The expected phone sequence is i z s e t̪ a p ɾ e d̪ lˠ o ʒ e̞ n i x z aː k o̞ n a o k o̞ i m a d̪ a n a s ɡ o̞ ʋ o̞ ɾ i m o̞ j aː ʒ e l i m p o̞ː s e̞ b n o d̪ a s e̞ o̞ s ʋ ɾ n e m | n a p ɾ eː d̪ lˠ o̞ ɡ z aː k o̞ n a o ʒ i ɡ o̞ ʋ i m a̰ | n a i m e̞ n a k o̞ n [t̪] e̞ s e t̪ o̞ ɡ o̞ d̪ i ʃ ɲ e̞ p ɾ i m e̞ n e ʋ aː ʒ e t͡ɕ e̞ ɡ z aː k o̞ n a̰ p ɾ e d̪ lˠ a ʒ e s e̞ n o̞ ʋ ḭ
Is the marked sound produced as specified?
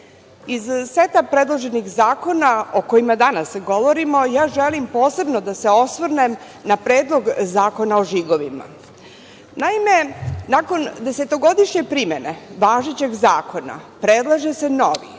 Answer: no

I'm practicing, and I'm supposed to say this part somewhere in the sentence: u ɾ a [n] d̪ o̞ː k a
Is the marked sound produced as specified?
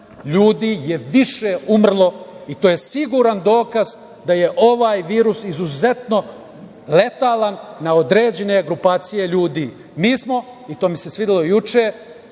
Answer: yes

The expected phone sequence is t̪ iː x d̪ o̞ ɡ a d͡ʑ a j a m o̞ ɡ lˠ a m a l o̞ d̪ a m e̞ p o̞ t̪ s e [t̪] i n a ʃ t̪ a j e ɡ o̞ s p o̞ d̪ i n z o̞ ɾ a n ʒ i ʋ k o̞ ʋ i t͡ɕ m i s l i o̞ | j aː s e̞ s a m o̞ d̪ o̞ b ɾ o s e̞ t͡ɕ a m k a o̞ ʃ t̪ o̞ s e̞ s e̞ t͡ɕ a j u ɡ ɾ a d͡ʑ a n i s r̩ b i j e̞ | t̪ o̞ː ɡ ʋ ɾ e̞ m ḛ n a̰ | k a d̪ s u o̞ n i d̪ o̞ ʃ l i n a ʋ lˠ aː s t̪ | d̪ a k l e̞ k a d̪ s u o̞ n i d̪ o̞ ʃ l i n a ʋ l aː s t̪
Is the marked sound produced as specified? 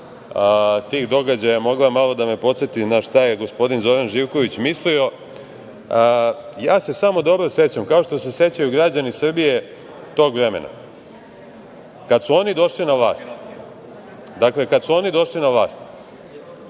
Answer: yes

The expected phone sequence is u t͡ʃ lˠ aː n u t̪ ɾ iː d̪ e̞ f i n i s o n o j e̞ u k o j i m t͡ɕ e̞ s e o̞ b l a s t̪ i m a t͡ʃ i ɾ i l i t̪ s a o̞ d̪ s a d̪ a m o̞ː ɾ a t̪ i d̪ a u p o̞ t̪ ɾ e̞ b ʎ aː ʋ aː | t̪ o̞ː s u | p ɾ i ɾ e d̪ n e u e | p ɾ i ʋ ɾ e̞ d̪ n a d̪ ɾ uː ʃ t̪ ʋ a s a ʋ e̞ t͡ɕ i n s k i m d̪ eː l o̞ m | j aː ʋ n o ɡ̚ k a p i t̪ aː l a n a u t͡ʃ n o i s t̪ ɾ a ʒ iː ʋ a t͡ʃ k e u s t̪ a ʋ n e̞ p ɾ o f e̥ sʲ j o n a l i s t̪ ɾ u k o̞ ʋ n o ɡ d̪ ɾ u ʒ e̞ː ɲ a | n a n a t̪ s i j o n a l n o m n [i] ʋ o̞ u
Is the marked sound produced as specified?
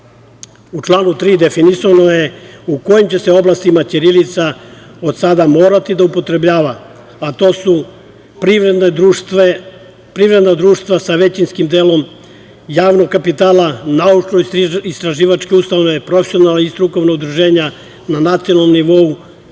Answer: yes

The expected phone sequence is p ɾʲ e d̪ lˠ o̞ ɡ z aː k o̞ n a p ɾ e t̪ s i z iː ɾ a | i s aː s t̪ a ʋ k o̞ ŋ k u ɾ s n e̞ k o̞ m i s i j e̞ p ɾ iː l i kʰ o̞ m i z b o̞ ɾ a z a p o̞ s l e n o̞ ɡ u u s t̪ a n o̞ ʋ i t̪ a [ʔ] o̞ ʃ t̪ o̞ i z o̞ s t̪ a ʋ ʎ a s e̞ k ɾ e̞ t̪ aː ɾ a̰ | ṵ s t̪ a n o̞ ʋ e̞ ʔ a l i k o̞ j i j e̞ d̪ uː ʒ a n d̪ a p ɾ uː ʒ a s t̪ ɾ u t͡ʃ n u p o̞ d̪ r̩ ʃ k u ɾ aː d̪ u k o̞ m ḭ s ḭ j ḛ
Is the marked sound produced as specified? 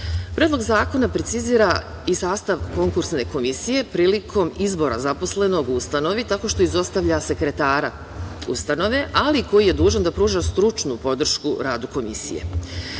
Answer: no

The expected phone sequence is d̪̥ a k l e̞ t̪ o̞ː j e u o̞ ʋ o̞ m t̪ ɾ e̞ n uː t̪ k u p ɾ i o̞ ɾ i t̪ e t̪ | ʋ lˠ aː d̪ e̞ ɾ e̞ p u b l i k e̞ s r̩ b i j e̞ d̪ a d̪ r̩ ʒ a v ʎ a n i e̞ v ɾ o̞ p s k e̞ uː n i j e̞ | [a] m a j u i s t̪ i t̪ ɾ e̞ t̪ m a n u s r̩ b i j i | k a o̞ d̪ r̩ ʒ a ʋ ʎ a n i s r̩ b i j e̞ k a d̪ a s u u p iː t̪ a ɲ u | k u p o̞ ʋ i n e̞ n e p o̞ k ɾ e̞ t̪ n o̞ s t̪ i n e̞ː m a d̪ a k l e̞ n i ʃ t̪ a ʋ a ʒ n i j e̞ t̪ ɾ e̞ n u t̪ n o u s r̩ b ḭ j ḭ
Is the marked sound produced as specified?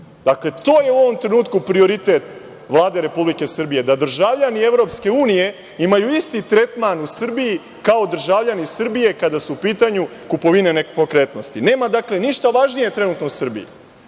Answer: no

